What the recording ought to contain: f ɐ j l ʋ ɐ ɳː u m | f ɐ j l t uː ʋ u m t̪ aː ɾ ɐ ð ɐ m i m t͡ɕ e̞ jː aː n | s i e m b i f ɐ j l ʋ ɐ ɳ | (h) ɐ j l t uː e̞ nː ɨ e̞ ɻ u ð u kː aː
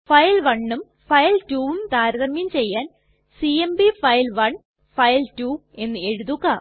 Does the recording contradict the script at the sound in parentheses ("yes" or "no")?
yes